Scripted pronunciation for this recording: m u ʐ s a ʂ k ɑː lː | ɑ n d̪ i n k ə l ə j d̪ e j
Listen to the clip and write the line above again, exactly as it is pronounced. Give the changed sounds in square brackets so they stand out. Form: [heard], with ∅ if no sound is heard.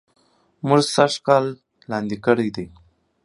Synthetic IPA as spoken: m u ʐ s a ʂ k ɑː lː | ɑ n d̪ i [∅] k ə [ɽ] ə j d̪ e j